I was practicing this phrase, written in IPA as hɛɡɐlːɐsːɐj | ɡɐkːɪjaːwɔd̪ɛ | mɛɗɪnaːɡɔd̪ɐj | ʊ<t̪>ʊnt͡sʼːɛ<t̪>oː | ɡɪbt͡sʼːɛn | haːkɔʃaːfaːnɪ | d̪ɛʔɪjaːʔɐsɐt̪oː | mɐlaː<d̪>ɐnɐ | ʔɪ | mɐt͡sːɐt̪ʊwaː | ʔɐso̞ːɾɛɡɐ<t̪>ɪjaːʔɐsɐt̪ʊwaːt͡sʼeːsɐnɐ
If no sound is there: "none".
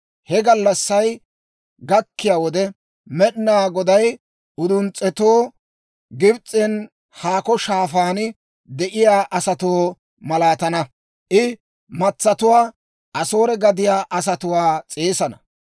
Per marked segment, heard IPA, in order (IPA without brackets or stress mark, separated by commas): d̪, t̪, t̪, d̪